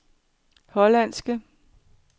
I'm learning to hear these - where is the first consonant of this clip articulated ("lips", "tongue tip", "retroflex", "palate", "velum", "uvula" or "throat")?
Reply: throat